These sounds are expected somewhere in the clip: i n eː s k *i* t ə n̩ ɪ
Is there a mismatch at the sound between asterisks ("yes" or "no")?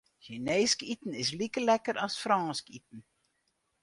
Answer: no